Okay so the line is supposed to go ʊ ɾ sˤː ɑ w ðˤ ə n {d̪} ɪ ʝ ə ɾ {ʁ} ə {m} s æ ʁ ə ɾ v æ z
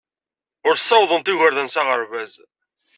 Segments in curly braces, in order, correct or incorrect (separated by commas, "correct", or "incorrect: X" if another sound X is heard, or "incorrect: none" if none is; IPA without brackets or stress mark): incorrect: t̪, incorrect: ð, incorrect: n